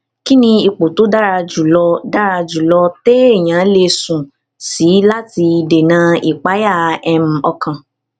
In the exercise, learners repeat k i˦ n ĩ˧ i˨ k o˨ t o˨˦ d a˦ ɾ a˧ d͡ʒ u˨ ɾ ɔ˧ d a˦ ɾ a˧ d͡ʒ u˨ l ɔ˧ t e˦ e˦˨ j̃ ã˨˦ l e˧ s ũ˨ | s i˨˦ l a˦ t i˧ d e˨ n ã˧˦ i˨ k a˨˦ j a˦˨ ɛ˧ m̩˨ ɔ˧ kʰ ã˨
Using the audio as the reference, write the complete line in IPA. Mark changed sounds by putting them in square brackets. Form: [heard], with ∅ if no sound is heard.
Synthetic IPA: k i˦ n ĩ˧ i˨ [k͡p] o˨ t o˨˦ d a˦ ɾ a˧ d͡ʒ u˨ [l] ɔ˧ d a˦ ɾ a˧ d͡ʒ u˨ l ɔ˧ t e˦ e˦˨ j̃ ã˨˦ l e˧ s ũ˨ | s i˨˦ l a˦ t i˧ d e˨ n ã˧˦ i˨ [k͡p] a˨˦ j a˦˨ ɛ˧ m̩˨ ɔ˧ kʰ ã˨